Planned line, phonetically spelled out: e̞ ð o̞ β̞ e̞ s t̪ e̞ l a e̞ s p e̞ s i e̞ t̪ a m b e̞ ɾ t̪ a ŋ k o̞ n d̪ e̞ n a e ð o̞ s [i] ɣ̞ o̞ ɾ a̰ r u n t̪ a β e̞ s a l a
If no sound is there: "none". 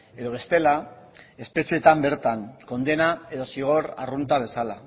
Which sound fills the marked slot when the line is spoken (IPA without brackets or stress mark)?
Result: i